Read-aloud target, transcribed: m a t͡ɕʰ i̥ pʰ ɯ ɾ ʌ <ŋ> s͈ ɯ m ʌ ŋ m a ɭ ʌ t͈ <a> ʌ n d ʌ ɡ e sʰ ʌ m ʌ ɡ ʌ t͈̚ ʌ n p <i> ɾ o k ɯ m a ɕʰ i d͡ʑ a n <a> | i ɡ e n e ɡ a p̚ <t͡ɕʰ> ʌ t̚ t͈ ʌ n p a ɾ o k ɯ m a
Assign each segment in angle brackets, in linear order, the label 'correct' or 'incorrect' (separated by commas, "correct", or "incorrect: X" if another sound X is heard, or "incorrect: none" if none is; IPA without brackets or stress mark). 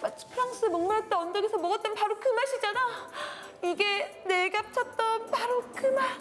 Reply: correct, incorrect: ʌ, incorrect: a, correct, correct